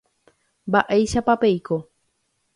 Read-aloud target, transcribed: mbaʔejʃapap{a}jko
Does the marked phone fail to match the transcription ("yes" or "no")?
yes